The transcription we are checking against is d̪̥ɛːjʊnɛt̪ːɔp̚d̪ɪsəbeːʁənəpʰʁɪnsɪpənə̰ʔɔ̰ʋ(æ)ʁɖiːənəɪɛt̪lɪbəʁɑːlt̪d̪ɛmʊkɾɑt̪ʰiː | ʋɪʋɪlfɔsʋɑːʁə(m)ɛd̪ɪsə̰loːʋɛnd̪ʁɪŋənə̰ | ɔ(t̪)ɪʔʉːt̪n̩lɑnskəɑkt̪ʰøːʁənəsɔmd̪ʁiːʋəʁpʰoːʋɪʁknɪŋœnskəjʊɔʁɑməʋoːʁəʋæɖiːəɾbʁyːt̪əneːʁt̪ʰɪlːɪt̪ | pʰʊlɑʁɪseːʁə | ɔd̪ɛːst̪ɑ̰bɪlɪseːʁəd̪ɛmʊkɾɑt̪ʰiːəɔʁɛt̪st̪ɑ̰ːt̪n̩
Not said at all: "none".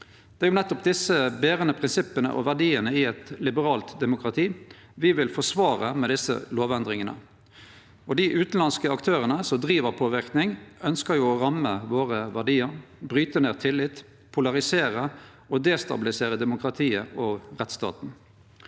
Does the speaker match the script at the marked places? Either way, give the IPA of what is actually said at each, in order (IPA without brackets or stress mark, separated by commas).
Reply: æ, m, d̪